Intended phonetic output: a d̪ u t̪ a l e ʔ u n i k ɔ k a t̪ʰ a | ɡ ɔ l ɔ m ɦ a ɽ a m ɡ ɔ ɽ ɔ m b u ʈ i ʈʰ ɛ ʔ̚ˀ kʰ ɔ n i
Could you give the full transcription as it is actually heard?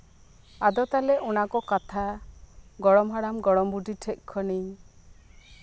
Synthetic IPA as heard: a d̪ ɔ t̪ a l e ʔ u n a k ɔ k a t̪ʰ a | ɡ ɔ ɽ ɔ m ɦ a ɽ a m ɡ ɔ ɽ ɔ m b u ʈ i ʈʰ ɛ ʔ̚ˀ kʰ ɔ n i